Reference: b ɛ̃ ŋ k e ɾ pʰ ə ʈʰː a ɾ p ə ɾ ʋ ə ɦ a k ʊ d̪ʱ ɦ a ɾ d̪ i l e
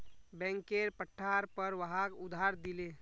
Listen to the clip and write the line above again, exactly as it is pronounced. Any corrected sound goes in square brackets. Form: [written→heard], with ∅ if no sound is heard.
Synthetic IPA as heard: b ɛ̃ ŋ k e ɾ [pʰ→p] ə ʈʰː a ɾ p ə ɾ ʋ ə ɦ a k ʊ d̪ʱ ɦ a ɾ d̪ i l e